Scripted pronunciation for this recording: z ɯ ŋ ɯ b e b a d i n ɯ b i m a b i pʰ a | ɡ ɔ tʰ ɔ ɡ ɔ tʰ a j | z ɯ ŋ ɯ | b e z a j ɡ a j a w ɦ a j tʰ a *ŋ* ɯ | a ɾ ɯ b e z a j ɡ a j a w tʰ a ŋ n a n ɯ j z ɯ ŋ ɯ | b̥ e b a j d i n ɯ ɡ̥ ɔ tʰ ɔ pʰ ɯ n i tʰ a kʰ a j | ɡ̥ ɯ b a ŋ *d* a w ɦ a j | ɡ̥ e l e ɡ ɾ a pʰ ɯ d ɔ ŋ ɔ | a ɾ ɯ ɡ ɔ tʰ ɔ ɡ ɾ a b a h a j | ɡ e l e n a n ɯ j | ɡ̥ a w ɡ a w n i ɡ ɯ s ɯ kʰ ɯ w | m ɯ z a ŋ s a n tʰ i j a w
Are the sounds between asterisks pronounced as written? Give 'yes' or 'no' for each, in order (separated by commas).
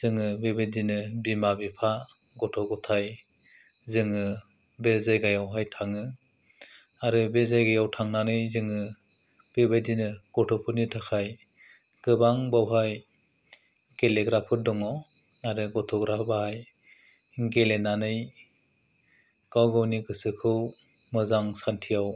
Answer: yes, no